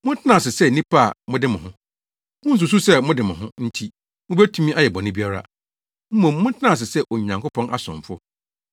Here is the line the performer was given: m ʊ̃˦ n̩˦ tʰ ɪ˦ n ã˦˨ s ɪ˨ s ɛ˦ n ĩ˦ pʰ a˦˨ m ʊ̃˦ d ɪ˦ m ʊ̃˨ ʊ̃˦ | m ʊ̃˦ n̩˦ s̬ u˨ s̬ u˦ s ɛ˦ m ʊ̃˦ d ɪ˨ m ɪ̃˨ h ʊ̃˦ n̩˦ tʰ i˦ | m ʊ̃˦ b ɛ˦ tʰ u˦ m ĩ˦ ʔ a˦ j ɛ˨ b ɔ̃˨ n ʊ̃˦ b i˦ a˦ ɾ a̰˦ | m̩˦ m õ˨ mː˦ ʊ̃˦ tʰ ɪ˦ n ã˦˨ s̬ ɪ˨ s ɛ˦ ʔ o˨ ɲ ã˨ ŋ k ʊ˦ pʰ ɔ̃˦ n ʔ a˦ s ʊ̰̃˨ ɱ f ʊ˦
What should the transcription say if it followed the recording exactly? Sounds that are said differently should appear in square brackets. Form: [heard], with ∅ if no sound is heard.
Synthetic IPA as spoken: m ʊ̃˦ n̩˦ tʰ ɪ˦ n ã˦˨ s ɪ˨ s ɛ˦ n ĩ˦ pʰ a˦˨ m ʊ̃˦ d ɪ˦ m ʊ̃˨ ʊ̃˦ | m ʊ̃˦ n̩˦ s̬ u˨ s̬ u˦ s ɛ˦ m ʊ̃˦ d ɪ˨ m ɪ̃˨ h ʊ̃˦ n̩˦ tʰ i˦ | m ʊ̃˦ b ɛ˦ tʰ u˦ m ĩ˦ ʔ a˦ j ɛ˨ b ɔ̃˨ n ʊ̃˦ b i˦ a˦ ɾ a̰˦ | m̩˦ m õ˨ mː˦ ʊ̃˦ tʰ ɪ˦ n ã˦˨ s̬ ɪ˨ s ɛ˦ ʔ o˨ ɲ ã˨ ŋ k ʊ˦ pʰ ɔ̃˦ n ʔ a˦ s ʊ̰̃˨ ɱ f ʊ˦